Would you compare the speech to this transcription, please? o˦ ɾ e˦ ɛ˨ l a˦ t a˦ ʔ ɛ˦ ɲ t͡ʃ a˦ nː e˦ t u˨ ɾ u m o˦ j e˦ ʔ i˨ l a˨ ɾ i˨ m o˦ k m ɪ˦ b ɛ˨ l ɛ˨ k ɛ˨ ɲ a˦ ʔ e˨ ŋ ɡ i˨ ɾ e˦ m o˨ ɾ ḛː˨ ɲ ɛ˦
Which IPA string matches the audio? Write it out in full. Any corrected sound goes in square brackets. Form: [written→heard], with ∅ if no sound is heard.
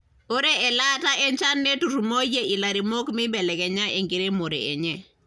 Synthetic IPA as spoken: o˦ ɾ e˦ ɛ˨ l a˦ t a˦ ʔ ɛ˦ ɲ t͡ʃ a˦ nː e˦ t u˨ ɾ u m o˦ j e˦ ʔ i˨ l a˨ ɾ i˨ m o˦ k m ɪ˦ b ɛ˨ l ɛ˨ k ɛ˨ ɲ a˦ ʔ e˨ ŋ ɡ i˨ ɾ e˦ m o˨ ɾ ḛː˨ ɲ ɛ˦